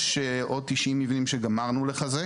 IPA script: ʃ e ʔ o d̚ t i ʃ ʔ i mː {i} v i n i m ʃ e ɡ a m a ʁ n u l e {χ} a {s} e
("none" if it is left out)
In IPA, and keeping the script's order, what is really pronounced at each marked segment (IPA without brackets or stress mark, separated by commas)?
i, χ, z